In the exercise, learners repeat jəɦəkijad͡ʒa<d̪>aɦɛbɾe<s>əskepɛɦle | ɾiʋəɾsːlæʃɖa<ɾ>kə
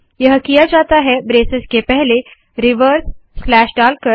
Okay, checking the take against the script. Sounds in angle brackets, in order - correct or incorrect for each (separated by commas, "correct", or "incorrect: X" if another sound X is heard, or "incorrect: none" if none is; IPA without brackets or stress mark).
incorrect: t̪, correct, incorrect: l